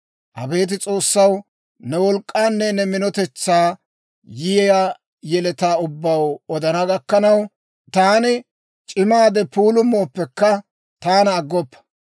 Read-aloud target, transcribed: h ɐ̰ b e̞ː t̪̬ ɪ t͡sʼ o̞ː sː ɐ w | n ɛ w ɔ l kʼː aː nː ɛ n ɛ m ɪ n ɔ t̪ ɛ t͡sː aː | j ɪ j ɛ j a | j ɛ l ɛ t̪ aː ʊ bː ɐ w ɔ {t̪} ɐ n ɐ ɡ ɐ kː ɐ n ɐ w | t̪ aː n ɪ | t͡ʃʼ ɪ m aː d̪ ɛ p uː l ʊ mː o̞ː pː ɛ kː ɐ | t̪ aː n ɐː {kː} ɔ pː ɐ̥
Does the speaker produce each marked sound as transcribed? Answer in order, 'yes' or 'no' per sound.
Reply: no, no

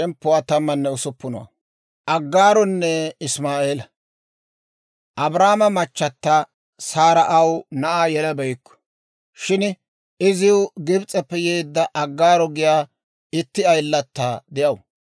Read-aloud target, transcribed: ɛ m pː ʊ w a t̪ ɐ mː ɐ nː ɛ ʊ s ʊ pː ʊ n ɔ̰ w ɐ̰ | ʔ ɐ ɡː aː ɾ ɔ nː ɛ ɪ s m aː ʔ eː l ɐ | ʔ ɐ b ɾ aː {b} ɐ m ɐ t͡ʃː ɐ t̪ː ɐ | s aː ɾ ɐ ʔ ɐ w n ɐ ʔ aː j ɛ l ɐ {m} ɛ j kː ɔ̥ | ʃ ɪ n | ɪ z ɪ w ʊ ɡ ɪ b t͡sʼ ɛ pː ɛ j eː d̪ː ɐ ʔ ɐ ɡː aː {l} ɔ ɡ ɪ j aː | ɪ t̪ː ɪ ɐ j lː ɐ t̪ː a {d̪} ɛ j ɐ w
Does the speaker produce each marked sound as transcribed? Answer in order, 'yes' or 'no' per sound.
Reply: no, no, no, yes

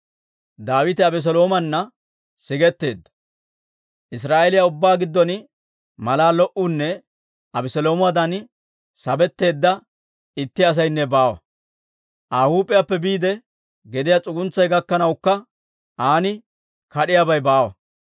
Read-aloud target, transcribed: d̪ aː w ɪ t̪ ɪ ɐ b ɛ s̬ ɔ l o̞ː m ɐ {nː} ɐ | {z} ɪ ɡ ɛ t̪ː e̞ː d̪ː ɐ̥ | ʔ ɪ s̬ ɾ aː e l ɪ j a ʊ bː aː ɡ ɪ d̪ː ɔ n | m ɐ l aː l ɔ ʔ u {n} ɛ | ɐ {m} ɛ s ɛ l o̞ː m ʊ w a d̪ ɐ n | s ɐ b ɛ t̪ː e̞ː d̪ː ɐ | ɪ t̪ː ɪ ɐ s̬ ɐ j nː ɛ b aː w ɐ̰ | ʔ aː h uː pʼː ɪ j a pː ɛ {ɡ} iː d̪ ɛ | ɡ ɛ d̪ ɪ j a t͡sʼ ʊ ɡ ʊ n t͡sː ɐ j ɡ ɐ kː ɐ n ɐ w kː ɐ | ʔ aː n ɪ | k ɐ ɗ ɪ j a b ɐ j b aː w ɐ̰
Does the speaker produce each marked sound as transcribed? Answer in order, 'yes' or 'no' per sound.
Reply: yes, no, no, no, no

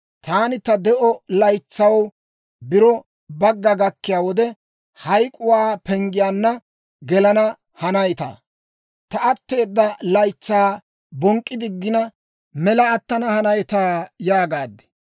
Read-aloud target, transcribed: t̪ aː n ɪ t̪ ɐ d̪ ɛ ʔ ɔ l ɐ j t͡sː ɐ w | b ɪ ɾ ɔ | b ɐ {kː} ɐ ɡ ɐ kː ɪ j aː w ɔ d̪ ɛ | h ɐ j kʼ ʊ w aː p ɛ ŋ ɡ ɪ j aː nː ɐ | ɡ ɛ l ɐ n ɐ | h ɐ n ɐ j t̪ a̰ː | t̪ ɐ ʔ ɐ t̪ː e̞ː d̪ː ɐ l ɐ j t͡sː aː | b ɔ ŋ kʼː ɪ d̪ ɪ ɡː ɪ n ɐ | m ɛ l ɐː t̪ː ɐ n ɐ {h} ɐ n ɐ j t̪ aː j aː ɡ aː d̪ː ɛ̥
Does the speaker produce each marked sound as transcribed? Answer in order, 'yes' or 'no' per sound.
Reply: no, yes

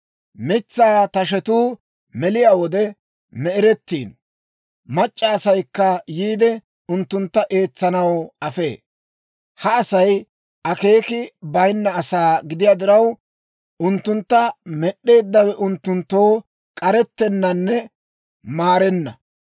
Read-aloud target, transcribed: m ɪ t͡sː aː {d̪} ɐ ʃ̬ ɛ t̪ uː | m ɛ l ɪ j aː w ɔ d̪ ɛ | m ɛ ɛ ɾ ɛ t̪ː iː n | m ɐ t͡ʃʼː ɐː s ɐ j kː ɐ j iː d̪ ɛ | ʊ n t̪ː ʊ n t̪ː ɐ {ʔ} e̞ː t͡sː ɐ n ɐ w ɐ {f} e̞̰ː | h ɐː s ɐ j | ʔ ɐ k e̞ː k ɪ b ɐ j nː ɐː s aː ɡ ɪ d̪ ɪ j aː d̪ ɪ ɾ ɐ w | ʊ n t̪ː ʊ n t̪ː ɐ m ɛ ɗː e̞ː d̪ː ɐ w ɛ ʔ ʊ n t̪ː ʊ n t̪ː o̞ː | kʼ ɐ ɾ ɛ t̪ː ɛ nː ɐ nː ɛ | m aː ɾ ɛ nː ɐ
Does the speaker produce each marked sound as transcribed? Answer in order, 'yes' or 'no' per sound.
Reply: no, yes, yes

